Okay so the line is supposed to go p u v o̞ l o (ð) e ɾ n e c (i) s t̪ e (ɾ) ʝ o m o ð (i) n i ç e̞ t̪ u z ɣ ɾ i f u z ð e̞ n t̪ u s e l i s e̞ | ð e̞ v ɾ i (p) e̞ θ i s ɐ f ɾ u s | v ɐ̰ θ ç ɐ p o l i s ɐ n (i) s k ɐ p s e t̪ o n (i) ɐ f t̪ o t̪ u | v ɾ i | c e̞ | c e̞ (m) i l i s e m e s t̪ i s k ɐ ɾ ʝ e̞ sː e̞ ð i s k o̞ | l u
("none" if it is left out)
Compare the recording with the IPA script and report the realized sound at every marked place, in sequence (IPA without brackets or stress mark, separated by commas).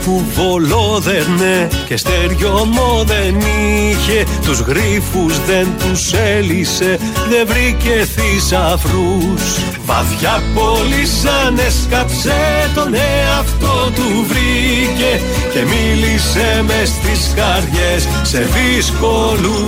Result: ð, e, ɾ, e, c, e, e, m